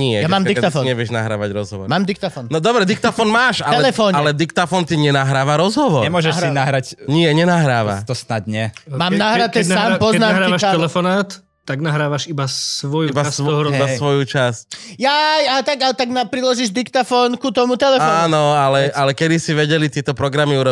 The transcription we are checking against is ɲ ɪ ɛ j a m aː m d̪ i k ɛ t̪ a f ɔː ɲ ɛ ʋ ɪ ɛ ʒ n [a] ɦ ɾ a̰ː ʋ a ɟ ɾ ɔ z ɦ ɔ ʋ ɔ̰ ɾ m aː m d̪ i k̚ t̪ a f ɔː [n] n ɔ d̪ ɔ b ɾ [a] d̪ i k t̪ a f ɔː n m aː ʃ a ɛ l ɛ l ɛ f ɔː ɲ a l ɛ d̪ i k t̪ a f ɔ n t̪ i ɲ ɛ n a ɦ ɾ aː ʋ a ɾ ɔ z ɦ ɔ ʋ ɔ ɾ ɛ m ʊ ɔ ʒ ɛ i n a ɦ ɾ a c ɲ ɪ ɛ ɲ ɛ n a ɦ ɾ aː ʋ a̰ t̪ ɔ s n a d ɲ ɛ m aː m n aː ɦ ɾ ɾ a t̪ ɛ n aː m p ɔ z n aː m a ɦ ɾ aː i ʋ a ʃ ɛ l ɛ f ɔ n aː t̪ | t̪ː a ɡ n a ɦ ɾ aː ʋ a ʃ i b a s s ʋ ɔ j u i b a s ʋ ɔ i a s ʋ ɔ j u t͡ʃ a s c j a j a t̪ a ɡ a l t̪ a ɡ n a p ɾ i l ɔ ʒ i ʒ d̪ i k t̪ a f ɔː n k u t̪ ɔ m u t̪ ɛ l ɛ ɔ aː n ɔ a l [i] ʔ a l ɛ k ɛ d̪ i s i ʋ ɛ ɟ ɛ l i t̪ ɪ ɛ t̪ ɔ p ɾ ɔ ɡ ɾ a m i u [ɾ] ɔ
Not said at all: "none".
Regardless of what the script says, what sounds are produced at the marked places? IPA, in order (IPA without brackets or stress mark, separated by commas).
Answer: a, n, ɛ, ɛ, ɾ